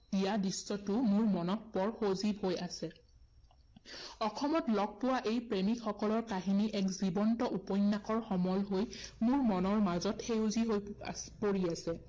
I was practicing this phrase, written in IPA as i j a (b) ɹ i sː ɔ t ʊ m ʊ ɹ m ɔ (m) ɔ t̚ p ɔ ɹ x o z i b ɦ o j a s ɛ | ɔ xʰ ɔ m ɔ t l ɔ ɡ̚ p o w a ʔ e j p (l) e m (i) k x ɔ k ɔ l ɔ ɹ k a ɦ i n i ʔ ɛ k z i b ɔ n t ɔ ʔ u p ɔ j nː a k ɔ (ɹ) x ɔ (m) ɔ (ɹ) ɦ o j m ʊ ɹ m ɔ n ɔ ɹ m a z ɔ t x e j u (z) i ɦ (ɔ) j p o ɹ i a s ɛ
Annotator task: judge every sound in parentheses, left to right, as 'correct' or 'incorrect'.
incorrect: d, incorrect: n, incorrect: ɹ, correct, correct, correct, incorrect: l, correct, incorrect: o

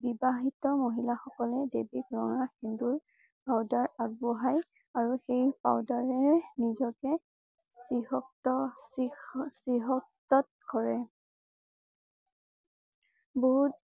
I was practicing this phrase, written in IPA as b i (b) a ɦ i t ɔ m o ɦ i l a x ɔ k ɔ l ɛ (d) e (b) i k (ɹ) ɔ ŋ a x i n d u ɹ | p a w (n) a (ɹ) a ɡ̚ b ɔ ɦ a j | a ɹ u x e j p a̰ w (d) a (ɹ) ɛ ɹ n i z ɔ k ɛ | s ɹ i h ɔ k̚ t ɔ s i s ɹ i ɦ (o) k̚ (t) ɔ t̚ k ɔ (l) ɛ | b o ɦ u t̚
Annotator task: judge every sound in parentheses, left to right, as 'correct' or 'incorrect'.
correct, correct, correct, correct, incorrect: d, correct, correct, correct, incorrect: ɔ, correct, incorrect: ɹ

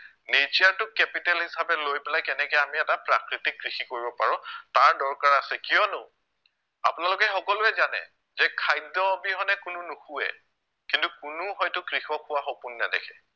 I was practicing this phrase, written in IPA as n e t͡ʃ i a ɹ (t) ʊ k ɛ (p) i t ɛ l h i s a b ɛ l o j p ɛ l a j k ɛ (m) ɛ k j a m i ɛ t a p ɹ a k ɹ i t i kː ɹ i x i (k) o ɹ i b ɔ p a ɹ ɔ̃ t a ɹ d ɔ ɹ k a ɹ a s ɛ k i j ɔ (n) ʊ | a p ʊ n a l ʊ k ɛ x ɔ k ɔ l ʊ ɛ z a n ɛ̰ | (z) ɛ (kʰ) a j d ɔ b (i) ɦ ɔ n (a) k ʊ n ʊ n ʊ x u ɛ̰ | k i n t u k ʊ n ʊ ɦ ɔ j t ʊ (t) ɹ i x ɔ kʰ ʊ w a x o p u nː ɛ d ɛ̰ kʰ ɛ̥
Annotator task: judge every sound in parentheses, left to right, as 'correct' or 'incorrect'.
correct, correct, incorrect: n, correct, correct, correct, correct, correct, incorrect: ɛ, incorrect: k

